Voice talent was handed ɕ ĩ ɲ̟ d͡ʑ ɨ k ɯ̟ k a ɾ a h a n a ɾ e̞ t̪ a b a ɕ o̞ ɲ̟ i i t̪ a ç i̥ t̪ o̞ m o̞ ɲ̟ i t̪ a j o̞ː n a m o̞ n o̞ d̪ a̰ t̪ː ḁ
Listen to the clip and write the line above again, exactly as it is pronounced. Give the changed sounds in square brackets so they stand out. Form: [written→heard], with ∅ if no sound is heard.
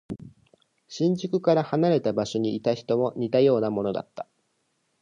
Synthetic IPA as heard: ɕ ĩ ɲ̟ d͡ʑ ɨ k ɯ̟ k a ɾ a h a n a ɾ e̞ t̪ a b a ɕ o̞ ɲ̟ i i t̪ a ç i̥ t̪ o̞ m o̞ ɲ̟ i t̪ a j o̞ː n a m o̞ n o̞ d̪ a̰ t̪ː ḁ